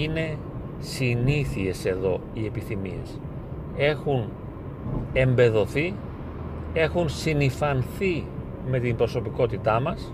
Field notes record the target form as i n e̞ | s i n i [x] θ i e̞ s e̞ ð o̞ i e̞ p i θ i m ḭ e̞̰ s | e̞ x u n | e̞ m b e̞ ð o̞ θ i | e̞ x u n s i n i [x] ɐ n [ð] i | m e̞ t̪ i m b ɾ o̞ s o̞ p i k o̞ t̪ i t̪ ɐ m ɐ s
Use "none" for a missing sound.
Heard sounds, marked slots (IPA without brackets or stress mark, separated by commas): none, f, θ